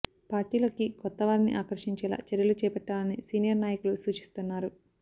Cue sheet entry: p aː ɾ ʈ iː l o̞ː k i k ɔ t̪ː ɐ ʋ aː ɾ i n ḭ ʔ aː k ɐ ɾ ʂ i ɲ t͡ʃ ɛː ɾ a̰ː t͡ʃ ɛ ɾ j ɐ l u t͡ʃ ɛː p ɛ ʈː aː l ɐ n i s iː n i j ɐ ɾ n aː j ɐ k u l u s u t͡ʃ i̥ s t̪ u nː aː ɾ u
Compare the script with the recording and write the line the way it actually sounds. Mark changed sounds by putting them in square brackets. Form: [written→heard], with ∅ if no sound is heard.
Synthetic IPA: p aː ɾ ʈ iː l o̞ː k i k ɔ t̪ː ɐ ʋ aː ɾ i n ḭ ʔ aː k ɐ ɾ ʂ i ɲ t͡ʃ ɛː [ɾ→l] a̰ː t͡ʃ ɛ ɾ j ɐ l u t͡ʃ ɛː p ɛ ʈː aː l ɐ n i s iː n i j ɐ ɾ n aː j ɐ k u l u s [u→uː] t͡ʃ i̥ s t̪ u nː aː ɾ u